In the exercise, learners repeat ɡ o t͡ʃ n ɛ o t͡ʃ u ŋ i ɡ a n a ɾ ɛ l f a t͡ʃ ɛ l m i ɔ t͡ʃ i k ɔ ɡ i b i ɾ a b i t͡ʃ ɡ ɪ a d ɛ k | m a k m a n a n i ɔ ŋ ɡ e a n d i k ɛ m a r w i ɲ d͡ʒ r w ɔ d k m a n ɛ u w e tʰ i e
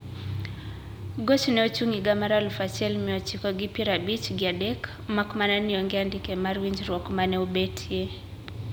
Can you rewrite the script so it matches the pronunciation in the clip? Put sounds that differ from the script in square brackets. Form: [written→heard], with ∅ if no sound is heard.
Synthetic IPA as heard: ɡ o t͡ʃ n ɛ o t͡ʃ u ŋ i ɡ a [n→m] a ɾ [ɛ→a] l f a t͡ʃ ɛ l m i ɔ t͡ʃ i k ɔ ɡ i [b→p] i ɾ a b i t͡ʃ ɡ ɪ a d ɛ k | m a k m a n a n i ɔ ŋ ɡ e a n d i k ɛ m a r w i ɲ d͡ʒ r w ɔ [d→∅] k m a n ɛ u [w→b] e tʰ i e